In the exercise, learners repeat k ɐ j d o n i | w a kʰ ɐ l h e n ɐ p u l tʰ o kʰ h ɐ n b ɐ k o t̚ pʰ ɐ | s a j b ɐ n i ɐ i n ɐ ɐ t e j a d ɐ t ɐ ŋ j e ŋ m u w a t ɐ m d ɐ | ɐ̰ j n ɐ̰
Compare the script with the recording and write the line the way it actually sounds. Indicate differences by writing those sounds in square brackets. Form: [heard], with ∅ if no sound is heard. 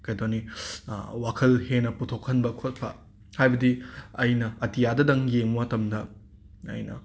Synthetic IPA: k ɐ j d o n i | w a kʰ ɐ l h e n ɐ p u [∅] tʰ o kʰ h ɐ n b ɐ [kʰ] o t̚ pʰ ɐ | [h] a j b ɐ [d] i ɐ [j] n ɐ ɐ t [i] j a d ɐ [d] ɐ ŋ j e ŋ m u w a t ɐ m d ɐ | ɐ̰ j n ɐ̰